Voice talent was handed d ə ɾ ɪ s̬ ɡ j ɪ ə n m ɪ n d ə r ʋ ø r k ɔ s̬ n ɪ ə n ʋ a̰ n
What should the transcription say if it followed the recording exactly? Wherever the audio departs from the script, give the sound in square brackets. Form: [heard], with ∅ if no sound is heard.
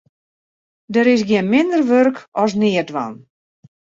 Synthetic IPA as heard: d ə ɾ ɪ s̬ ɡ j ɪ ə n m ɪ n d ə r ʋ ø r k ɔ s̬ n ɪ ə [d] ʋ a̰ n